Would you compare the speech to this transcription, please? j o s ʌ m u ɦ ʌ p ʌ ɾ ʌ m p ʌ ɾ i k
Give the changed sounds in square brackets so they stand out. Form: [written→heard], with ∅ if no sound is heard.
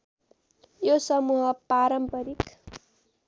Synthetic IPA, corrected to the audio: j o s ʌ m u ɦ ʌ p [ʌ→a] ɾ ʌ m p ʌ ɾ i k